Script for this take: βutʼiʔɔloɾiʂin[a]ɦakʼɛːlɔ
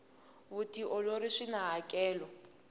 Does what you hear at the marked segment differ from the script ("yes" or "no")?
no